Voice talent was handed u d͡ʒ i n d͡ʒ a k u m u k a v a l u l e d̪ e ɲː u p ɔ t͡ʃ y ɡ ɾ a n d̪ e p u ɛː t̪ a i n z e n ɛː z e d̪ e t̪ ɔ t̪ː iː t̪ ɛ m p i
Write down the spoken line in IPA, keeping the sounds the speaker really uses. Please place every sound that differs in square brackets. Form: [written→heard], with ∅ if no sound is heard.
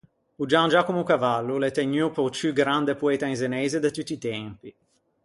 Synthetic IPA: u d͡ʒ [i→a] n d͡ʒ a k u m u k a v a [l→lː] u l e [d̪→t̪] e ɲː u p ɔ t͡ʃ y ɡ ɾ a n d̪ e p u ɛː t̪ a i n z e n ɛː z e d̪ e t̪ [ɔ→u] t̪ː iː t̪ ɛ m p i